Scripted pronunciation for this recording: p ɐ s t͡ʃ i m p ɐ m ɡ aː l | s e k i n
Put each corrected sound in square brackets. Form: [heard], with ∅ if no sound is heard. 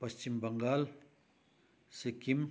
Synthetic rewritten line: p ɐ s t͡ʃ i m [b] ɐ [ŋ] ɡ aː l | s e k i [m]

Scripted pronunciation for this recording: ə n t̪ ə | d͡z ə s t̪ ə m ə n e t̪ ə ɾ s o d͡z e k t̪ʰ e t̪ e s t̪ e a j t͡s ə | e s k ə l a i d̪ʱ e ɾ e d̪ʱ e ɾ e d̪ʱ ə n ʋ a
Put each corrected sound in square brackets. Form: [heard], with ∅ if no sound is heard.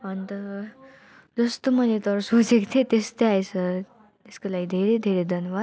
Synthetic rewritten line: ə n t̪ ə | d͡z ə s t̪ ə m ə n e t̪ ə ɾ s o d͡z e k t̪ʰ e t̪ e s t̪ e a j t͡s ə | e s k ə l a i d̪ʱ e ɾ e d̪ʱ e ɾ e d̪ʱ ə n ʋ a

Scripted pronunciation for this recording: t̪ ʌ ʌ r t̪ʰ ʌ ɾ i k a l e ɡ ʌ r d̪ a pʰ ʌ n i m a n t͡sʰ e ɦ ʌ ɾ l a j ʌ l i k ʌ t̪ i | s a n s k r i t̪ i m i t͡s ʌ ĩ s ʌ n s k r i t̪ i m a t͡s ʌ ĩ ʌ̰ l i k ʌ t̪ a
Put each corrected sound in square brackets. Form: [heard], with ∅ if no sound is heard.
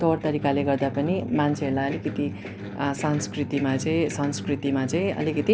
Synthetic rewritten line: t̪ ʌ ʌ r [t̪] ʌ ɾ i k a l e ɡ ʌ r d̪ a [p] ʌ n i m a n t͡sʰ e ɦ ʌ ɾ l a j ʌ l i k ʌ t̪ i | s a n s k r i t̪ i m [a] t͡s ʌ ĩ s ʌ n s k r i t̪ i m a t͡s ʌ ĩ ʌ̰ l i k ʌ t̪ [i]

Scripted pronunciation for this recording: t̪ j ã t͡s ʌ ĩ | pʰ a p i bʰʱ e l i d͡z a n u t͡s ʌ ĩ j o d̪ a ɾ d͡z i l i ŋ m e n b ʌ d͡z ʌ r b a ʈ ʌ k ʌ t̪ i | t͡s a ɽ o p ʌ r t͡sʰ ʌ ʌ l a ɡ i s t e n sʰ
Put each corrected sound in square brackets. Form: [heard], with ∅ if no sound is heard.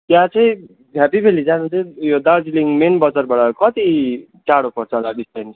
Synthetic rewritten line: t̪ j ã t͡s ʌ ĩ | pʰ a p i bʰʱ e l i d͡z a n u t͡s ʌ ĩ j o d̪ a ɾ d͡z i l i ŋ m e n b ʌ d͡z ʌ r b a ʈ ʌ k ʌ t̪ i | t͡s a ɽ o p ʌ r t͡sʰ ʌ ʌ l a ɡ i s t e n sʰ

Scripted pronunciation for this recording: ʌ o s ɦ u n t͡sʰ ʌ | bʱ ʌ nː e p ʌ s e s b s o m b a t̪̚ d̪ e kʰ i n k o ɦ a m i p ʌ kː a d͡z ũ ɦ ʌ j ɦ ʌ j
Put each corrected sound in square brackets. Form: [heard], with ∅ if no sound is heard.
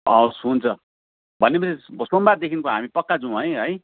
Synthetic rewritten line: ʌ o s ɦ u n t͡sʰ ʌ | bʱ ʌ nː e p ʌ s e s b s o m b a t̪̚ d̪ e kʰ i n k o ɦ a m i p ʌ kː a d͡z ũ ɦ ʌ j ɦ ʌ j

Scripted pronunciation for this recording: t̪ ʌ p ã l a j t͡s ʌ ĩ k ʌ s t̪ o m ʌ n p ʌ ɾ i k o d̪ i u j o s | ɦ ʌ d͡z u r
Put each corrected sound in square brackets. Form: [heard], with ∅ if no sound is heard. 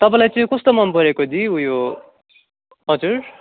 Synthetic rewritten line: t̪ ʌ p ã l a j t͡s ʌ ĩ k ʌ s t̪ o m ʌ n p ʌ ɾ [e] k o d̪ i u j o [∅] | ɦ ʌ d͡z u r

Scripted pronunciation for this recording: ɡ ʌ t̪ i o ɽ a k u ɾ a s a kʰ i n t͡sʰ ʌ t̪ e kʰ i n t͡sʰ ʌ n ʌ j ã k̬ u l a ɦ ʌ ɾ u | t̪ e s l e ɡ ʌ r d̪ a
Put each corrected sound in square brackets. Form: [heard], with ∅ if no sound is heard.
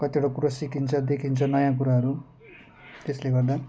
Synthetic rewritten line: [k] ʌ t̪ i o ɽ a k u ɾ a s [i] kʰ i n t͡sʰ ʌ [d̪] e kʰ i n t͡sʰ ʌ n ʌ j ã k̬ u [ɾ] a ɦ ʌ ɾ u | t̪ e s l e ɡ ʌ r d̪ a

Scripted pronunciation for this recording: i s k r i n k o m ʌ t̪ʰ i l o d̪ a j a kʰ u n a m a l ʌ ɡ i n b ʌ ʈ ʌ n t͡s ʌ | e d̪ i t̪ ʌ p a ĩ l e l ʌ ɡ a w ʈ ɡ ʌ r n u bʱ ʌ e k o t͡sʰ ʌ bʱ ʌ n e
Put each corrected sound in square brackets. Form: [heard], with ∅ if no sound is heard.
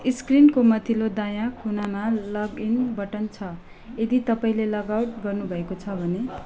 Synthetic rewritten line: i s k r i n k o m ʌ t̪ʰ i l o d̪ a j a kʰ u n a m a l ʌ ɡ i n b ʌ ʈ ʌ n [t͡sʰ] ʌ | e d̪ i t̪ ʌ p a ĩ l e l ʌ ɡ a w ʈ ɡ ʌ r n u bʱ ʌ e k o t͡sʰ ʌ bʱ ʌ n e

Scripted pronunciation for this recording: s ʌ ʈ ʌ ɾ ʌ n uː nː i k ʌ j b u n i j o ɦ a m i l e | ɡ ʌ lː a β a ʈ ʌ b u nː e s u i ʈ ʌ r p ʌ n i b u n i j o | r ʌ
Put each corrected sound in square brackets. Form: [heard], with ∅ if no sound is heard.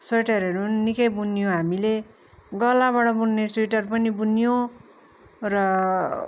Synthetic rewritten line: s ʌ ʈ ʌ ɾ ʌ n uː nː i k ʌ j b u n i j o ɦ a m i l e | ɡ ʌ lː a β a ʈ ʌ b u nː e s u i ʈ ʌ r p ʌ n i b u n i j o | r ʌ

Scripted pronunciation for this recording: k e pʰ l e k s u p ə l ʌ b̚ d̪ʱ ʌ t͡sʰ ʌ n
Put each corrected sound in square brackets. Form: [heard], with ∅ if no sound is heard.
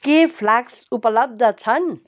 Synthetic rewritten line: k e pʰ l [a] k s u p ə l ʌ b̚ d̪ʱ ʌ t͡sʰ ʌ n

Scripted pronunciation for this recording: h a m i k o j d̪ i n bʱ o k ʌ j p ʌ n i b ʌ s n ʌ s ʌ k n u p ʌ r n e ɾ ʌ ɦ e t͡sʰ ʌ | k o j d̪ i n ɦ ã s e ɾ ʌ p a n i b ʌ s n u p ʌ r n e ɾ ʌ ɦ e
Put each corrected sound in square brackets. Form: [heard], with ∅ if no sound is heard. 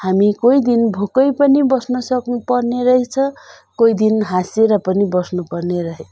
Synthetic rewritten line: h a m i k o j d̪ i n bʱ o k ʌ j p ʌ n i b ʌ s n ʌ s ʌ k n u p ʌ r n e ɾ ʌ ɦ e t͡sʰ ʌ | k o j d̪ i n ɦ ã s e ɾ ʌ p [ʌ] n i b ʌ s n u p ʌ r n e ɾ ʌ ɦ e

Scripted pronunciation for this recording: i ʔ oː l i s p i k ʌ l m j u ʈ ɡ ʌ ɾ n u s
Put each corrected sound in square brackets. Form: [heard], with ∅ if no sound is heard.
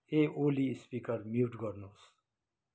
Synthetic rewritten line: [e] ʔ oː l i s p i k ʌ [ɾ] m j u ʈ ɡ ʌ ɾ n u s

